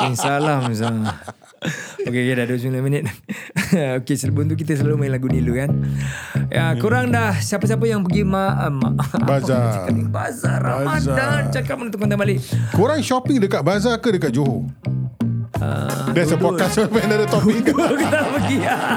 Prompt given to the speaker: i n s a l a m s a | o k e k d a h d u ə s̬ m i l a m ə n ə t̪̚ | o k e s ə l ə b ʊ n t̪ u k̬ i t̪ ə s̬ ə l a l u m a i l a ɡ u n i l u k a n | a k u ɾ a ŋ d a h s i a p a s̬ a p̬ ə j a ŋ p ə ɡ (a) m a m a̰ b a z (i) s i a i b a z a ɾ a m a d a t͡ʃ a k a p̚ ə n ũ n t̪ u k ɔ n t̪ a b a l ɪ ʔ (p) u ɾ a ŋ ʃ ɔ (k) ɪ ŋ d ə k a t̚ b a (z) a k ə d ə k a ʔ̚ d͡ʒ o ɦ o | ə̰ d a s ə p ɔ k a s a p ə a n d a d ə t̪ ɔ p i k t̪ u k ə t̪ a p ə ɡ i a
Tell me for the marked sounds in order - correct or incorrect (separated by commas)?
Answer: incorrect, incorrect, incorrect, incorrect, correct